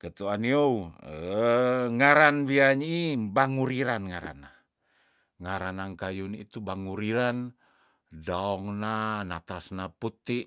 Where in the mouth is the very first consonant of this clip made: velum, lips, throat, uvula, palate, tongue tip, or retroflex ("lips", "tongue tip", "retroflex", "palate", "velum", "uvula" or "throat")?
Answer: velum